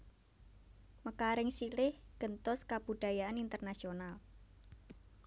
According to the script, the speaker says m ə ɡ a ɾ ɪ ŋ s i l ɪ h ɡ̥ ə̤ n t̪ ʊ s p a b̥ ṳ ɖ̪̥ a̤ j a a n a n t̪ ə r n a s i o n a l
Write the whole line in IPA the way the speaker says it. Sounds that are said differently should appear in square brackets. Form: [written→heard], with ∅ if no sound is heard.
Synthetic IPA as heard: m ə [ɡ→k] a ɾ ɪ ŋ s i l ɪ h ɡ̥ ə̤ n t̪ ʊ s [p→k] a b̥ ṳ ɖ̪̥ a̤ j a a n [a→i] n t̪ ə r n a s i o n a l